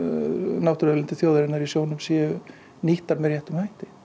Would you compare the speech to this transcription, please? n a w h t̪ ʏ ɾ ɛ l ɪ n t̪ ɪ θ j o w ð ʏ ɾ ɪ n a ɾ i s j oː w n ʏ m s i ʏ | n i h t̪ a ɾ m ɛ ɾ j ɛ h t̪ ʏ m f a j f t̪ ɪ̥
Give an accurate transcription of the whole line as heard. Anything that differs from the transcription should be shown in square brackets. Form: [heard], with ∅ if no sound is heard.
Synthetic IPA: n a w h t̪ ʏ ɾ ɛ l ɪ n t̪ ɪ θ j o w ð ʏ ɾ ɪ n a ɾ i s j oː w n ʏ m s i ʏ | n i h t̪ a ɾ m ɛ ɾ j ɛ h t̪ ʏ m [h] a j [h] t̪ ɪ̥